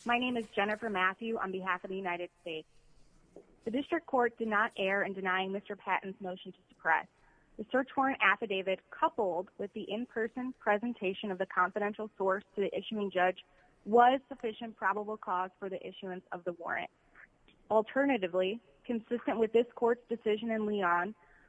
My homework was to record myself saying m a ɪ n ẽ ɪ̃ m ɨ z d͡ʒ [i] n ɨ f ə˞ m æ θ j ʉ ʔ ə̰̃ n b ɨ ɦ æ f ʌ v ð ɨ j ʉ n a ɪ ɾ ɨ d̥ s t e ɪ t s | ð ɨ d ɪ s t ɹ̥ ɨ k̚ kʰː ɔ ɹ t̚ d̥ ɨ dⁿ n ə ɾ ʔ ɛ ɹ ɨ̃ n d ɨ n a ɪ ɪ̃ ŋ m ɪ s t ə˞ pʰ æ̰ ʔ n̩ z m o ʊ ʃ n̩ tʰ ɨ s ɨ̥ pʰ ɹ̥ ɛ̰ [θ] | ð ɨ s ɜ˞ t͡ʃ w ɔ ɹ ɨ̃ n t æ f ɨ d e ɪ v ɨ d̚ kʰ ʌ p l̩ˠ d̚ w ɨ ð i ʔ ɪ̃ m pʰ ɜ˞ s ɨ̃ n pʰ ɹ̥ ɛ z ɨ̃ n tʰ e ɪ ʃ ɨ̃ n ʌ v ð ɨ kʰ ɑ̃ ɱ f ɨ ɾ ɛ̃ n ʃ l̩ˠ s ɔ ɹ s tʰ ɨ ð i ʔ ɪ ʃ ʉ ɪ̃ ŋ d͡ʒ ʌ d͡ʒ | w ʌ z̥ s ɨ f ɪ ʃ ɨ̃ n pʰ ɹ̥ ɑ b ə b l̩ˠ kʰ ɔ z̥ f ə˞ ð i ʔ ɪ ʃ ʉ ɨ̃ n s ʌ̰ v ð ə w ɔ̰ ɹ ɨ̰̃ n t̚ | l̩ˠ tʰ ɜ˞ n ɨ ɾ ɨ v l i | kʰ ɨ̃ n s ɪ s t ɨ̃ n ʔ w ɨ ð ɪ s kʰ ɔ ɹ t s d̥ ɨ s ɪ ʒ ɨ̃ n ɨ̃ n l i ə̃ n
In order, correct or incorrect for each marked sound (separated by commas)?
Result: incorrect, incorrect